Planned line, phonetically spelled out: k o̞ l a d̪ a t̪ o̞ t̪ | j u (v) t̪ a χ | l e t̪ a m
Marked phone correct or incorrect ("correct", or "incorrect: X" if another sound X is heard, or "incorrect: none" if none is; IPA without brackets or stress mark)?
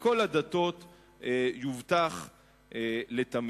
correct